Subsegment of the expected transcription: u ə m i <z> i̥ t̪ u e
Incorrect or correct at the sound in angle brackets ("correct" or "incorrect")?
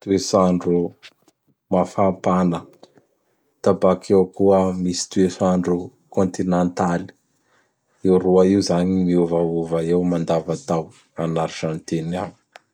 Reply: incorrect